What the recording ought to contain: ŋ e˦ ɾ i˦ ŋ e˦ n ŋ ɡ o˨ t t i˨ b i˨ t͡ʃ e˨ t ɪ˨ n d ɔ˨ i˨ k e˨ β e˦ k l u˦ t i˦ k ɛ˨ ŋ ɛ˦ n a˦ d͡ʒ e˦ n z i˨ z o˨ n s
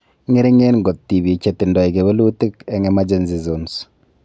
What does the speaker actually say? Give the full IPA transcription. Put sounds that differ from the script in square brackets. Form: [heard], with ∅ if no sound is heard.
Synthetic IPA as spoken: ŋ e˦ ɾ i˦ ŋ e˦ n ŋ ɡ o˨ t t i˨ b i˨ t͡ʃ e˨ t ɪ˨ n d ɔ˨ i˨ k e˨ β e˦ [∅] l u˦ t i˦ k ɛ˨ ŋ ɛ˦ [m] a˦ d͡ʒ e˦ n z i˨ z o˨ n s